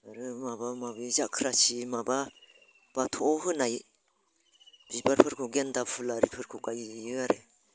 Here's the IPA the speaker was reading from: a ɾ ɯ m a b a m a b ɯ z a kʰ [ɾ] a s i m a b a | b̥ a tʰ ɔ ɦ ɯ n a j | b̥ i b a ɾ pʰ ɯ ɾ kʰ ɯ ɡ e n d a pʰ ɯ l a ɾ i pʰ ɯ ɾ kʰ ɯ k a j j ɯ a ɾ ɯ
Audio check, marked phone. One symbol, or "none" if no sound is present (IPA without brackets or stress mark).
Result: ɾ